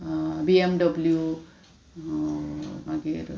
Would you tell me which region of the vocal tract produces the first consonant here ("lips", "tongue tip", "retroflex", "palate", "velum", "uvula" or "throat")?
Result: lips